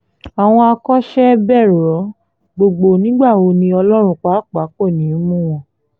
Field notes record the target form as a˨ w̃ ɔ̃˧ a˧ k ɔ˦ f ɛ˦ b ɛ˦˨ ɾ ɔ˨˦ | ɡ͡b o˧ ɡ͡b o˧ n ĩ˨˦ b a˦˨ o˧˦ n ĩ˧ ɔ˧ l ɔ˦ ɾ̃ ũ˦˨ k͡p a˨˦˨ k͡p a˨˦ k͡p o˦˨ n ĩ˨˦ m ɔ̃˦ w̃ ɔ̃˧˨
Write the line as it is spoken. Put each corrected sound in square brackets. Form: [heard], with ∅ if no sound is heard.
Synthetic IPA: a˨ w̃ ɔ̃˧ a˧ k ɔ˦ [ʃ] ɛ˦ b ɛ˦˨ ɾ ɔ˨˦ | ɡ͡b o˧ ɡ͡b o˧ n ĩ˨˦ [ɡ͡b] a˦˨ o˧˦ n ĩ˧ ɔ˧ l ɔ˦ ɾ̃ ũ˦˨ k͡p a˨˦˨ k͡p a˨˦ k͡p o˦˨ n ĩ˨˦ m [ũ˦] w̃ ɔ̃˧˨